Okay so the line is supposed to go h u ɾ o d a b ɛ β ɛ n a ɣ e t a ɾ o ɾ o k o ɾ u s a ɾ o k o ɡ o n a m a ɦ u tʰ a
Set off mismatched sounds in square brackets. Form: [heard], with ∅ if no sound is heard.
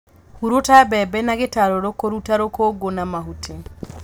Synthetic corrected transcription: h u ɾ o [t] a b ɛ [b] ɛ n a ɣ e t a ɾ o ɾ o k o ɾ u [t] a ɾ o k o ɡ o n a m a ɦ u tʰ [e]